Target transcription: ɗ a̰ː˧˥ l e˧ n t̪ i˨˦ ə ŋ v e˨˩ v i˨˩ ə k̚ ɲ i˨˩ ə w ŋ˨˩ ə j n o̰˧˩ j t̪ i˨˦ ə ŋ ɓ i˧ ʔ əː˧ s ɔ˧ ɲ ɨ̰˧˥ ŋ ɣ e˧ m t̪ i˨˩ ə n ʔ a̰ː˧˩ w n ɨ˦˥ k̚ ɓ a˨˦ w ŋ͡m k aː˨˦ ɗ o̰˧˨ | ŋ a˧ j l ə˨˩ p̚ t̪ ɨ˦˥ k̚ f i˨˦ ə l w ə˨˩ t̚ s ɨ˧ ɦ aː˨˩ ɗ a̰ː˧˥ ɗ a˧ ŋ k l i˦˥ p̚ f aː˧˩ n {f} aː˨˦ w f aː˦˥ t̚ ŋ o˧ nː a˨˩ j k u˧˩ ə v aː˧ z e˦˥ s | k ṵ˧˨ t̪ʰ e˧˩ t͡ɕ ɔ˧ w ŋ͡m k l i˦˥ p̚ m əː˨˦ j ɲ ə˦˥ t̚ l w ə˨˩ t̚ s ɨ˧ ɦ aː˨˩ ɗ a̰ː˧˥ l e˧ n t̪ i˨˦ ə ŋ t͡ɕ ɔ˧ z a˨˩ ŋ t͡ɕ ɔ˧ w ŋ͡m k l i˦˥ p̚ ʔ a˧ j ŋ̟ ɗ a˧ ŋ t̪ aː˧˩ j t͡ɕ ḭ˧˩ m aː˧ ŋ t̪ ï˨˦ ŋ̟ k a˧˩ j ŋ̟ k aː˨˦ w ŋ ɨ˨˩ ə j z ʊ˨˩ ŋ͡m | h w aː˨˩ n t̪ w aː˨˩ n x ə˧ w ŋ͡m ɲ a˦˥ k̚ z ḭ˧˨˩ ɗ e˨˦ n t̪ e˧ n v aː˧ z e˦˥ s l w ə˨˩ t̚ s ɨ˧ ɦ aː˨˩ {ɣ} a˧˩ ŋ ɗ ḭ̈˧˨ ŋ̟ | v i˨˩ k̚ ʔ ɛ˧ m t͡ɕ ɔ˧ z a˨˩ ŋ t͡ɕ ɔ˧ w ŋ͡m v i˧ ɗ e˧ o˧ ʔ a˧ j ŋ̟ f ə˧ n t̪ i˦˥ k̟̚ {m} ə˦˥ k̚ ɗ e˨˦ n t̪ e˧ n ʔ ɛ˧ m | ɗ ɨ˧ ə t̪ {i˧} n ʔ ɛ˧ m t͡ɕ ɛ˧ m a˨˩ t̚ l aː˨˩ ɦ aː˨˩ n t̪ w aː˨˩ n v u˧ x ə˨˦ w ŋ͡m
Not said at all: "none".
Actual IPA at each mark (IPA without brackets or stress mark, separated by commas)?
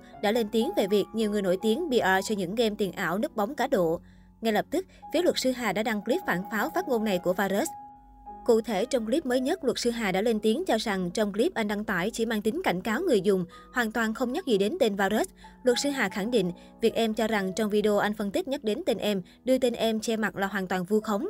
f, x, ɲ, e˧